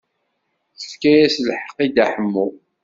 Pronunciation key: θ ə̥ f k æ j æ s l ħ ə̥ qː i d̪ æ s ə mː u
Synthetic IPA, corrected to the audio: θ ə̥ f k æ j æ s l ħ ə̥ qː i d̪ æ ħ ə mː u